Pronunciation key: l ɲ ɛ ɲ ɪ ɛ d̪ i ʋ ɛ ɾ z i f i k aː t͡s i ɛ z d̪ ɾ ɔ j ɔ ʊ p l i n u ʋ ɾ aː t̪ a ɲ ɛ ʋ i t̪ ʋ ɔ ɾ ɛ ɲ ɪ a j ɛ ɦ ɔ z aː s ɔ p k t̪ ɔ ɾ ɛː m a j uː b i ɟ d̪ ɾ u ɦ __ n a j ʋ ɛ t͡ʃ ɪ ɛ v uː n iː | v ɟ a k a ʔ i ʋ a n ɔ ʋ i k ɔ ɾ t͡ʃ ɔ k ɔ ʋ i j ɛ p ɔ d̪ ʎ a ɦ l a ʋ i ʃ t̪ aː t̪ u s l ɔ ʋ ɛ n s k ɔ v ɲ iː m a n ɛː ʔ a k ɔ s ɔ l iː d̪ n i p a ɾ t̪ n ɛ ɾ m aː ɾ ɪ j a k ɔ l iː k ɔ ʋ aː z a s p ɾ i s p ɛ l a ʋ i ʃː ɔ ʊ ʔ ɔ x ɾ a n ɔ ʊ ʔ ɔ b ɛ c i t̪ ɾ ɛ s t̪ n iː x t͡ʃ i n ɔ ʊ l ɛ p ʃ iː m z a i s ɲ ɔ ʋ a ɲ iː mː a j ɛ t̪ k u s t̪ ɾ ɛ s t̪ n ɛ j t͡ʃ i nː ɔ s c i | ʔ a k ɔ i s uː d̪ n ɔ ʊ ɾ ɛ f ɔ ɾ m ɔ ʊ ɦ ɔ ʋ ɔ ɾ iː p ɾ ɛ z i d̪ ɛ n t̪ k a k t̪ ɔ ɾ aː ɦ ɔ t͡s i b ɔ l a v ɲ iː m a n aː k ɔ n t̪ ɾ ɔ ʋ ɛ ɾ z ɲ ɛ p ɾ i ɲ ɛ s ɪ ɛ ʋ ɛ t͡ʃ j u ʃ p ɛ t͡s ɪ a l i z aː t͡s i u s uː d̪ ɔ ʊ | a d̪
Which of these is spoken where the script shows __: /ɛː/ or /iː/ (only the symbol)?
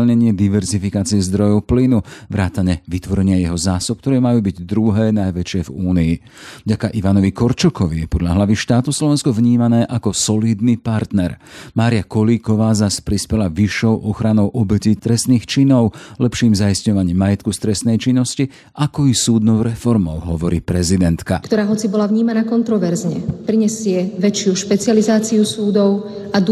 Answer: ɛː